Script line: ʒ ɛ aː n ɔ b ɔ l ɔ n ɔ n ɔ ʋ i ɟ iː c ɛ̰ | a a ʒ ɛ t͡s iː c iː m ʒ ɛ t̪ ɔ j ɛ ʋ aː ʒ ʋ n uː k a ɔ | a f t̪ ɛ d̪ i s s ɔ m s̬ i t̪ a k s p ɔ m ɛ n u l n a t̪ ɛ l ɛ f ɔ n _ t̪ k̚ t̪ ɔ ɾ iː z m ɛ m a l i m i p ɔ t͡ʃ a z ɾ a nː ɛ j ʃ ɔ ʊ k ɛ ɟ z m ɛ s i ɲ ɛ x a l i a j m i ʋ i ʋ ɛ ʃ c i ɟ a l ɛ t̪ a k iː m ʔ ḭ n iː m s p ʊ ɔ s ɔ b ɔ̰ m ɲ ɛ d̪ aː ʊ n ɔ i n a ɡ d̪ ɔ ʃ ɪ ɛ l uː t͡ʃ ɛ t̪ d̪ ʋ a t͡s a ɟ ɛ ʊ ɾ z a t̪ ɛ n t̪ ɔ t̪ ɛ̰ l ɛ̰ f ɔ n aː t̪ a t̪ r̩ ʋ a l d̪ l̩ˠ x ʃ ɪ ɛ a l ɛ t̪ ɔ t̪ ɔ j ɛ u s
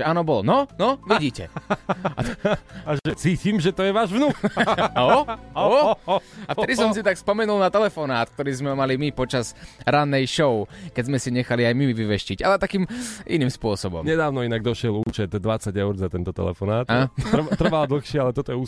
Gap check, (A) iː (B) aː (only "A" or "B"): B